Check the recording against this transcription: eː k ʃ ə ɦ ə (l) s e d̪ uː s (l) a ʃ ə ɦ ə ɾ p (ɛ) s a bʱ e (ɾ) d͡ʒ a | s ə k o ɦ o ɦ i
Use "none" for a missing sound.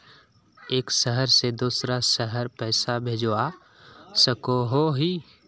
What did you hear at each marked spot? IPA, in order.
ɾ, ɾ, ɛː, none

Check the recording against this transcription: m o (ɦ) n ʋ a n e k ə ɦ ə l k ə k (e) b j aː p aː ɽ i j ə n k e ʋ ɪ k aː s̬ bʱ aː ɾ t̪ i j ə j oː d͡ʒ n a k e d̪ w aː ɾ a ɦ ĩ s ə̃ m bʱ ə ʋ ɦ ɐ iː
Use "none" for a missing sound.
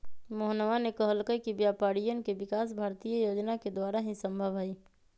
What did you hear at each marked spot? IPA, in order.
ɦ, i

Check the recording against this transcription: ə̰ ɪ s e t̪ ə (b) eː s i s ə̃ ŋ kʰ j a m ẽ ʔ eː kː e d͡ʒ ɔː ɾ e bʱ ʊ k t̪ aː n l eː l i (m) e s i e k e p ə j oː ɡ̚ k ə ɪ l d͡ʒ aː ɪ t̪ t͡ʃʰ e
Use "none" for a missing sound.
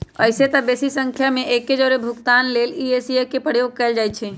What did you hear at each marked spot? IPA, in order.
b, none

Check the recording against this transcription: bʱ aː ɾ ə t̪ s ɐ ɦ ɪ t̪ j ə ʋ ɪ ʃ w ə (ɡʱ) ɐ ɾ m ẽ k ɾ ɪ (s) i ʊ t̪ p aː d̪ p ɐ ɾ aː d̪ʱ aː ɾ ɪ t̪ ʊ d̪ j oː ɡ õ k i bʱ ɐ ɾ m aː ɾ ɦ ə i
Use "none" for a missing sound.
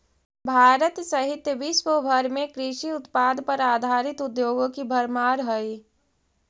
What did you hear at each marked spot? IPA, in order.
bʱ, ʃ

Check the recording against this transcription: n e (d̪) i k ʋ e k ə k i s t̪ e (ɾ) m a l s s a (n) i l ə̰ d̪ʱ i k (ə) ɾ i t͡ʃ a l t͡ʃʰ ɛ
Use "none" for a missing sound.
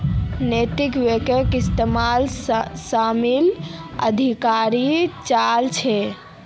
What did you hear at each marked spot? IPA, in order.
t̪, none, m, a

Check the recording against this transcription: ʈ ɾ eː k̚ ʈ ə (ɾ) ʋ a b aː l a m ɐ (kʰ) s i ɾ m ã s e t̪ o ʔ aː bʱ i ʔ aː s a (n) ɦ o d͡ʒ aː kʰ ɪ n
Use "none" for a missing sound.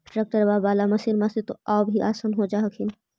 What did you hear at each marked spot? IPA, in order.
ɾ, none, n

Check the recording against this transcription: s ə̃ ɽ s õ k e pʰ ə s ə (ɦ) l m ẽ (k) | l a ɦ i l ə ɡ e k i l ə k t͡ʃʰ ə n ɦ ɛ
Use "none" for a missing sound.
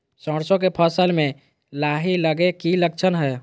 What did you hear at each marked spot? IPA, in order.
none, none

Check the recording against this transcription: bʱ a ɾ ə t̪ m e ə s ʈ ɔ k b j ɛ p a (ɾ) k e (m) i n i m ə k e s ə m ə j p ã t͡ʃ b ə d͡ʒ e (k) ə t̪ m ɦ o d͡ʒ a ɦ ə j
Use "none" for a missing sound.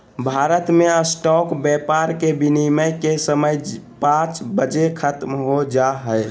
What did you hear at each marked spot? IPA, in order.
ɾ, b, kʰ

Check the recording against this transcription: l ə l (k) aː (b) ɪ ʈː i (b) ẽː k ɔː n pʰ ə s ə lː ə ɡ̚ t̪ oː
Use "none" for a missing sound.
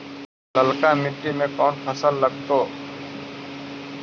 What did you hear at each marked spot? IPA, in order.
k, m, m

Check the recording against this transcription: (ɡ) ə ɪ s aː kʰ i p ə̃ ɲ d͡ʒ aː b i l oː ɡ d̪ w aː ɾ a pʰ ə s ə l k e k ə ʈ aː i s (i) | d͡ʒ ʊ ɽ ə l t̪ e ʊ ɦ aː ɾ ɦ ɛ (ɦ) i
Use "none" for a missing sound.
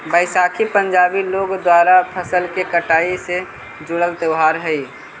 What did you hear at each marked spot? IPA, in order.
b, e, none

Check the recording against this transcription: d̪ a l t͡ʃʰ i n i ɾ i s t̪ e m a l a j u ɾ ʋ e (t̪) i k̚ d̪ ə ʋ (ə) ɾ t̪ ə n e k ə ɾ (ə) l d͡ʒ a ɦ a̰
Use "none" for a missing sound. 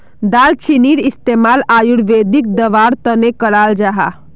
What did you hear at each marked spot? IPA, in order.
d̪, a, a

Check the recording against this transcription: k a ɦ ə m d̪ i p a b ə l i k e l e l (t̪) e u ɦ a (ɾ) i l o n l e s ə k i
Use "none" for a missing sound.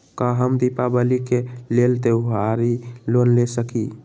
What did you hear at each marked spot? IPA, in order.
t̪, ɾ

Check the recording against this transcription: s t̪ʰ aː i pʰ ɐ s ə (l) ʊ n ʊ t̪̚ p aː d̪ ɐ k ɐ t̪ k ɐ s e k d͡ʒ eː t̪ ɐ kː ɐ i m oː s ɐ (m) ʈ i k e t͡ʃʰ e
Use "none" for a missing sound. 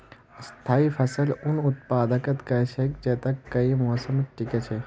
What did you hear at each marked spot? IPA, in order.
l, m

